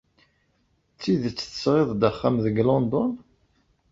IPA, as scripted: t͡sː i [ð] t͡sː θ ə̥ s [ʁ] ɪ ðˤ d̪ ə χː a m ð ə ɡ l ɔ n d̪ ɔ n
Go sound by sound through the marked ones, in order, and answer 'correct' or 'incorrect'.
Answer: correct, correct

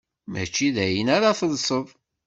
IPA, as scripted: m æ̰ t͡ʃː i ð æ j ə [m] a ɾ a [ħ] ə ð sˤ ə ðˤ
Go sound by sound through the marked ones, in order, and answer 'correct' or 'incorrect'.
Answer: incorrect: n, incorrect: θ

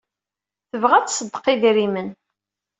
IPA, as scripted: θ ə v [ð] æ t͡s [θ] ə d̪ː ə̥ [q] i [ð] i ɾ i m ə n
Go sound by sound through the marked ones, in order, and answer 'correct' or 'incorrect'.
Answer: incorrect: ʁ, incorrect: s, correct, correct

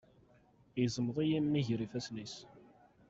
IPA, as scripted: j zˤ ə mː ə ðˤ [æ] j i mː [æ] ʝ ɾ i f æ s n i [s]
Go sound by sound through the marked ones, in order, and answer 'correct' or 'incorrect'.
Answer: incorrect: i, incorrect: i, correct

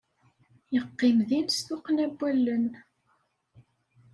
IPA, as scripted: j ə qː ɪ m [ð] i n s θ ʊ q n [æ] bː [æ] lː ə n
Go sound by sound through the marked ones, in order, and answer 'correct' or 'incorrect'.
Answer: correct, correct, correct

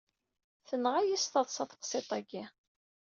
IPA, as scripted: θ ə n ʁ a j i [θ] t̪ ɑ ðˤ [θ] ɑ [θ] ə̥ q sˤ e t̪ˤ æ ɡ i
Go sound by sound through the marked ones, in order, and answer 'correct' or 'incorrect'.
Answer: incorrect: s, incorrect: s, correct

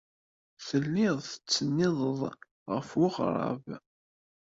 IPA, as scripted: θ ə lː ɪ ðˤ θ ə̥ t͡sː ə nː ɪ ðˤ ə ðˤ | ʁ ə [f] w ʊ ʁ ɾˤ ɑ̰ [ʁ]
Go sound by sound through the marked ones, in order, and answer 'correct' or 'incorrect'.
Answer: correct, incorrect: v

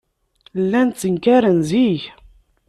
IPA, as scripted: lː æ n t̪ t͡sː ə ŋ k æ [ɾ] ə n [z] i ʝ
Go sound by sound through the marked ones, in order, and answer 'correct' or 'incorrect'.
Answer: correct, correct

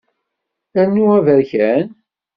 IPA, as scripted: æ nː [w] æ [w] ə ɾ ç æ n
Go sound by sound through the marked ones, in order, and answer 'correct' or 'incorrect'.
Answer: incorrect: u, incorrect: v

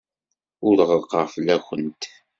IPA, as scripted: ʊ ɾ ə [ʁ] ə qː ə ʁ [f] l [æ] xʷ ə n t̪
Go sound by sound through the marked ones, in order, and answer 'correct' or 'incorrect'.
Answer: correct, correct, correct

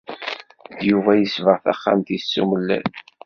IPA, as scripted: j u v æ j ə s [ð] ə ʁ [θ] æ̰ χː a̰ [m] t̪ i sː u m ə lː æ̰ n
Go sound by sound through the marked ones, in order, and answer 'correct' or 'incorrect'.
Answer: incorrect: v, correct, correct

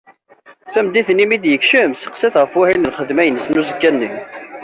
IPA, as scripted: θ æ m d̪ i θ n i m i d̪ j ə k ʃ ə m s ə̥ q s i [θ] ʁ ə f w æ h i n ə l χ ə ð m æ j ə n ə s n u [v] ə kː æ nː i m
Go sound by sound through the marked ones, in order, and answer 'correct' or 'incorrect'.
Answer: correct, incorrect: z

